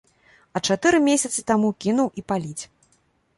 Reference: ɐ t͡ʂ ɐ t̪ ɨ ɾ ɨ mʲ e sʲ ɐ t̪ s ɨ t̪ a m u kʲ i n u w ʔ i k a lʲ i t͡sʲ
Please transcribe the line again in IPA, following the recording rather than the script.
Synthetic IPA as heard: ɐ t͡ʂ a t̪ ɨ ɾ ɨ mʲ e sʲ ɐ t̪ s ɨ t̪ a m u kʲ i n u w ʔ i p a lʲ i t͡sʲ